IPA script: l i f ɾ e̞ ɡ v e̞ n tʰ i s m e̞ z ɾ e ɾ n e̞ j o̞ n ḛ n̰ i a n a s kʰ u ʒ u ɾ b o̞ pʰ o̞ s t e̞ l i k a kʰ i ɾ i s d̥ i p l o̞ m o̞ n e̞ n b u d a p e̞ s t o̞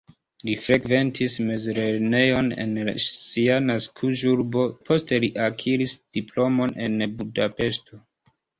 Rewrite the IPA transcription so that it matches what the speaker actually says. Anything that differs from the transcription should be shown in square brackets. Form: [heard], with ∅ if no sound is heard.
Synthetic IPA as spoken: l i f ɾ e̞ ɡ v e̞ n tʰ i s m e̞ z ɾ e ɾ n e̞ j o̞ n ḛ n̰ i a n a s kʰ u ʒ u ɾ b o̞ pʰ o̞ s t e̞ l i [ʔ] a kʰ i ɾ i s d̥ i p l o̞ m o̞ n e̞ n b u d a p e̞ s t o̞